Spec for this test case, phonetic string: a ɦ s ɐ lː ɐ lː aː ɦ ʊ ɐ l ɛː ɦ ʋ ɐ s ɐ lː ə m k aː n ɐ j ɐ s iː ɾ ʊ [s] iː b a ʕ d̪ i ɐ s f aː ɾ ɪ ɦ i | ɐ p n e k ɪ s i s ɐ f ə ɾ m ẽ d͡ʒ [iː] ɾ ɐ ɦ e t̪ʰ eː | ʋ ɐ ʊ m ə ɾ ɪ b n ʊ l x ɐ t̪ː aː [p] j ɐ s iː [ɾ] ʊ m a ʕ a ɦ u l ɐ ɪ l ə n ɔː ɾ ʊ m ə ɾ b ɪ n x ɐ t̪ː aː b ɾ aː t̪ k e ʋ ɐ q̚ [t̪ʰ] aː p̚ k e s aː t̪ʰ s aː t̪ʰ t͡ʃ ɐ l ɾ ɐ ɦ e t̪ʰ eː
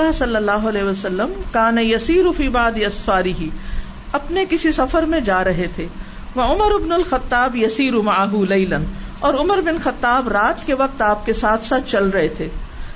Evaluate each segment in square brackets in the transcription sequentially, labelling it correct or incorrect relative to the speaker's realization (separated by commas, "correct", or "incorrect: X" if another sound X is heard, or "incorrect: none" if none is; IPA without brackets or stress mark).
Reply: incorrect: f, incorrect: aː, incorrect: b, correct, incorrect: t̪